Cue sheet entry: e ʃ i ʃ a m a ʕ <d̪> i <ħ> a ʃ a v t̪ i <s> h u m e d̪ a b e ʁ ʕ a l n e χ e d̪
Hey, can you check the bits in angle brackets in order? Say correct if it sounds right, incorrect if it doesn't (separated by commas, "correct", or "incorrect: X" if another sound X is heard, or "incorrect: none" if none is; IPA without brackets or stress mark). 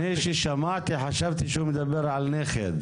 incorrect: t̪, correct, incorrect: ʃ